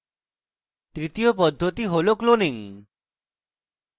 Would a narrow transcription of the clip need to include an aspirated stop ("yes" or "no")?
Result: no